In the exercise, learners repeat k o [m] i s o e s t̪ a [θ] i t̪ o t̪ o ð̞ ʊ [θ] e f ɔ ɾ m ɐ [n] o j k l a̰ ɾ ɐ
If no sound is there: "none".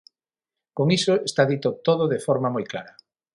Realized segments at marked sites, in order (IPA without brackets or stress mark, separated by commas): ŋ, ð, ð, m